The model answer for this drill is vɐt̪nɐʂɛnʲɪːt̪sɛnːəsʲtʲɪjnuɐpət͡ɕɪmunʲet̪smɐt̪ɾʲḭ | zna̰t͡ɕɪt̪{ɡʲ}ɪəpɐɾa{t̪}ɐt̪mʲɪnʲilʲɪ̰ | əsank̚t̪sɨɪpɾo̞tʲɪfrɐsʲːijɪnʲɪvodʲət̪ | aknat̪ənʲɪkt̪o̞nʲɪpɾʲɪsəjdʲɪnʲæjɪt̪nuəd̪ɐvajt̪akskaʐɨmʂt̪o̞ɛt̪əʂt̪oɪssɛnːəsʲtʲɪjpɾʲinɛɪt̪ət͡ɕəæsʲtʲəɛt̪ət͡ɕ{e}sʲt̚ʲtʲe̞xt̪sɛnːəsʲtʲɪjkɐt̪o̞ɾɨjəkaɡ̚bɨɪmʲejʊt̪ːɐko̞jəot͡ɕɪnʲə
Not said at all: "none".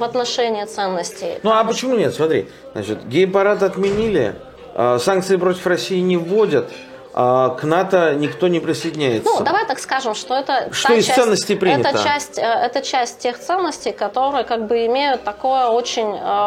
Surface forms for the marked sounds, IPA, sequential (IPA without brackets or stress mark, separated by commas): ɡʲ, t̪, æ